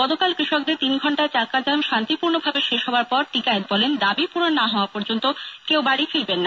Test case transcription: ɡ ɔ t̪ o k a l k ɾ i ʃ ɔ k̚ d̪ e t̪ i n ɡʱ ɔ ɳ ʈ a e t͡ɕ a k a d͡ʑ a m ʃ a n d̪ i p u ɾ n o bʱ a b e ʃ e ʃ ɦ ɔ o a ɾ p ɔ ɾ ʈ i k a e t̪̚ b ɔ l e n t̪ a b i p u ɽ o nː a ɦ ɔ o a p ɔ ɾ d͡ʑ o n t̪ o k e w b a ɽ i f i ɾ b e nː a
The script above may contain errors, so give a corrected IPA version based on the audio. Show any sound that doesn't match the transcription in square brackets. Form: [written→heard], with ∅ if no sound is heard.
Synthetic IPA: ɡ ɔ t̪ o k a l k ɾ i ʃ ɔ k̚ d̪ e t̪ i n ɡʱ ɔ ɳ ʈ a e t͡ɕ a k a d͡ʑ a m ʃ a n [d̪→t̪] i p u ɾ n o bʱ a b e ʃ e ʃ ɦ ɔ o a ɾ p ɔ ɾ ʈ i k a e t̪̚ b ɔ l e n [t̪→d̪] a b i p u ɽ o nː a ɦ ɔ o a p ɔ ɾ d͡ʑ o n t̪ o k e w b a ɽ i f i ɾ b e nː a